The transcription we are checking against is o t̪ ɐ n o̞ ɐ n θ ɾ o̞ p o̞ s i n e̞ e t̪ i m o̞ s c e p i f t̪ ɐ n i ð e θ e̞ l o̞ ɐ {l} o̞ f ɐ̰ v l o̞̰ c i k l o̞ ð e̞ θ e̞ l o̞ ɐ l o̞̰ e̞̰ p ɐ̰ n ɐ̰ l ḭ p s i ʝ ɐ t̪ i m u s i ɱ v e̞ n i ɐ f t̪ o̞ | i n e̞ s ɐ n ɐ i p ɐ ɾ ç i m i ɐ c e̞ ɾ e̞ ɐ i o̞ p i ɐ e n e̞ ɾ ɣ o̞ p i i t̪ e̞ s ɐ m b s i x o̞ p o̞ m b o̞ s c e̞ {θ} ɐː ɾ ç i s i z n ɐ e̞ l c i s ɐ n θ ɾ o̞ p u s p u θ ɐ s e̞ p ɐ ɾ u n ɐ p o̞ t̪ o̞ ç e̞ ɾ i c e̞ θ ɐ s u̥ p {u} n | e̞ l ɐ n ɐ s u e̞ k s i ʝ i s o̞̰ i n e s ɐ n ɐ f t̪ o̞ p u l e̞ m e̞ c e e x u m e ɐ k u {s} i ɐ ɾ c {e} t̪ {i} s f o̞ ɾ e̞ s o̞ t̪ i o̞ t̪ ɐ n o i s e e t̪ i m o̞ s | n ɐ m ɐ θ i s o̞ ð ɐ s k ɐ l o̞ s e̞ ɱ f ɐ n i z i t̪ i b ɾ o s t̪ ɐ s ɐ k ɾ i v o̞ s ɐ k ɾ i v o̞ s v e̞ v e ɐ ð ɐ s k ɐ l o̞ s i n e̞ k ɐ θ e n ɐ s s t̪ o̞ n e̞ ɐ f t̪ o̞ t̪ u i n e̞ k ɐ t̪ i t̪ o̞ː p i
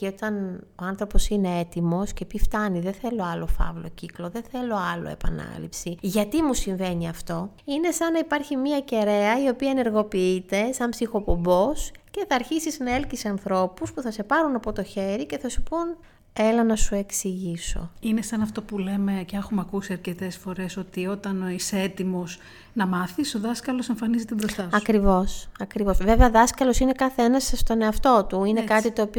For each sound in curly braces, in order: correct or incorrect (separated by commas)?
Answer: correct, correct, correct, correct, correct, incorrect